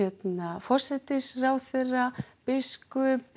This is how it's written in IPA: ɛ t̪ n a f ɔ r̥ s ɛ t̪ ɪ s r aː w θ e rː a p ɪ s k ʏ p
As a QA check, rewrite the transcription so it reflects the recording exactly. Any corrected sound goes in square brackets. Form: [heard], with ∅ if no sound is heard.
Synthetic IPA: ɛ t̪ n a f ɔ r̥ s ɛ t̪ ɪ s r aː w θ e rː a p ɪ s k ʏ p